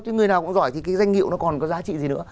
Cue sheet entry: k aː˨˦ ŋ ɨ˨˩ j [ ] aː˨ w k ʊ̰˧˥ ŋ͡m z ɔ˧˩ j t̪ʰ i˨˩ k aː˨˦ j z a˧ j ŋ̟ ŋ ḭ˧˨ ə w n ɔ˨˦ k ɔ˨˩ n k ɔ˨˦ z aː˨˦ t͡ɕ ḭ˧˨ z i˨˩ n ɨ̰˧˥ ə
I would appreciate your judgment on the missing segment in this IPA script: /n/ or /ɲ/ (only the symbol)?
n